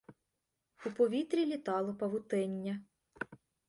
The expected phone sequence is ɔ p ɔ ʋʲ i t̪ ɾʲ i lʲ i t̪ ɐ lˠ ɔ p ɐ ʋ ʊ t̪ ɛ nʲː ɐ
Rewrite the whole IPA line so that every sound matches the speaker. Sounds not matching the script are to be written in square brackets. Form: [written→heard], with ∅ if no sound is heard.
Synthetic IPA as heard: [ɔ→u] p ɔ ʋʲ i t̪ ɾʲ i lʲ i t̪ [ɐ→ɑ] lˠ ɔ p ɐ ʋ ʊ t̪ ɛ nʲː ɐ